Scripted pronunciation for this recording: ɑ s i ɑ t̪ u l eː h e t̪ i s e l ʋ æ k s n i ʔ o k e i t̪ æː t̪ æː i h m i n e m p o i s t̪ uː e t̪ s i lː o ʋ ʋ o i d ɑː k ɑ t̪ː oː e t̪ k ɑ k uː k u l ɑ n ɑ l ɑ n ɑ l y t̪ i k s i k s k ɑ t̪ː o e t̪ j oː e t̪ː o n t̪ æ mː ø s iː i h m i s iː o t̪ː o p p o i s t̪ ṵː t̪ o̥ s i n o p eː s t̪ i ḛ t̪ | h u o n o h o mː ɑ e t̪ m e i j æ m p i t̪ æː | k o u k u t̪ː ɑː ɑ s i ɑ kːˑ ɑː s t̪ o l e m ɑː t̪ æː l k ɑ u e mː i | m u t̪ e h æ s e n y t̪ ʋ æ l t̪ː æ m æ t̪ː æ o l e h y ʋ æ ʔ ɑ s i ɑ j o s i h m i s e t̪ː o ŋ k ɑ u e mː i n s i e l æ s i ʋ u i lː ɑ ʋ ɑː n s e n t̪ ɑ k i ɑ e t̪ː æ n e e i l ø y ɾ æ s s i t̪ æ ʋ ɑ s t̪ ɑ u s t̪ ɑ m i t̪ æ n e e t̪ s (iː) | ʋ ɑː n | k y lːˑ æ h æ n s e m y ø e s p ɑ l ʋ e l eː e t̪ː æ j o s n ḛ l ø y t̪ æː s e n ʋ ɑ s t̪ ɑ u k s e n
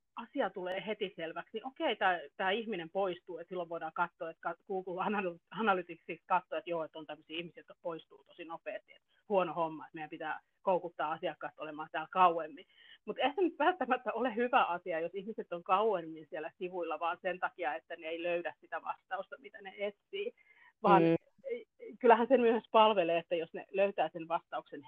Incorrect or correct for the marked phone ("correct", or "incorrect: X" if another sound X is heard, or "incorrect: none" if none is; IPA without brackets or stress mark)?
correct